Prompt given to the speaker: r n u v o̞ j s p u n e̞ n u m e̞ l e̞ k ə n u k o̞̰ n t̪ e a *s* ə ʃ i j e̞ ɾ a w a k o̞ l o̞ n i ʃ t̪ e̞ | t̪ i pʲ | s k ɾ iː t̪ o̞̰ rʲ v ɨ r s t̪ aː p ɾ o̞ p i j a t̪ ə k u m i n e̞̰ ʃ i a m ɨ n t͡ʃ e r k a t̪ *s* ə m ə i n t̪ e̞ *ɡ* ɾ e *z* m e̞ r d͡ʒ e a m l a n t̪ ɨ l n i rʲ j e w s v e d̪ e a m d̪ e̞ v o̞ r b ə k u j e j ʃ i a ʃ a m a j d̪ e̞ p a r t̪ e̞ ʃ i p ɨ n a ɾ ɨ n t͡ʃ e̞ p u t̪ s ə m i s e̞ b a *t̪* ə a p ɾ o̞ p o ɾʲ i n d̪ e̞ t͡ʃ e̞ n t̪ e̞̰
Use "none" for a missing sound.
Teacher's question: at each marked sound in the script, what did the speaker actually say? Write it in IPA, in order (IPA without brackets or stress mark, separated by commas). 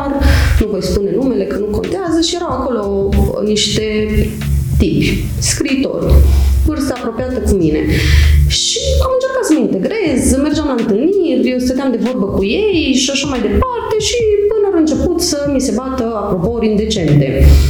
z, s, ɡ, z, t̪